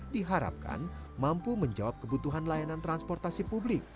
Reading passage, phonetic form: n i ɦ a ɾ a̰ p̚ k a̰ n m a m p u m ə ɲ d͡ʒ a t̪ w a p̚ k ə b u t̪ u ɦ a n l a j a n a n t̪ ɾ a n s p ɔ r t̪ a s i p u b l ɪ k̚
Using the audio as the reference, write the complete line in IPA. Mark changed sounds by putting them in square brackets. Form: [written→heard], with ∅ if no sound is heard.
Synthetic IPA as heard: [n→d] i ɦ a ɾ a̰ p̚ k a̰ n m a m p u m ə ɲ d͡ʒ a [t̪→∅] w a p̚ k ə b u t̪ u ɦ a n l a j a n a n t̪ ɾ a n s p ɔ r t̪ a s i p u b l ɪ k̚